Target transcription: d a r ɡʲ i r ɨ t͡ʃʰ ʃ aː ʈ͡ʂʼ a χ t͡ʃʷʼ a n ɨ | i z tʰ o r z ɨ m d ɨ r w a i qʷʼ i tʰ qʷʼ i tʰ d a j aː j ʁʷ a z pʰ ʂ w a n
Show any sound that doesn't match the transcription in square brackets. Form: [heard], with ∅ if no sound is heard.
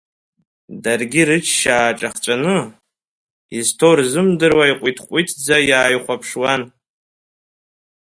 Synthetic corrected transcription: d a r ɡʲ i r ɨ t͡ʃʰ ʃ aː ʈ͡ʂʼ a χ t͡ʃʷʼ a n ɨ | i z tʰ o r z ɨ m d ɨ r w a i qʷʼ i tʰ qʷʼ i tʰ [d͡z] a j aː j [χʷ] a [∅] pʰ ʂ w a n